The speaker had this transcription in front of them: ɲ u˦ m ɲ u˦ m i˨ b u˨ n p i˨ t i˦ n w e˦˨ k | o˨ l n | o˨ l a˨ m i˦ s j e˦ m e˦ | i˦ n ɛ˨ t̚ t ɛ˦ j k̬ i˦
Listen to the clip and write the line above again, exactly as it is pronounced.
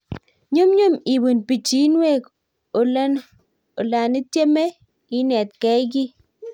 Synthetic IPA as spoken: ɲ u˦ m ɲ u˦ m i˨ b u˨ n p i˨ t͡ʃ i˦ n w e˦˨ k | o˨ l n | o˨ l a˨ n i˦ t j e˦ m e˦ | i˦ n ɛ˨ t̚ k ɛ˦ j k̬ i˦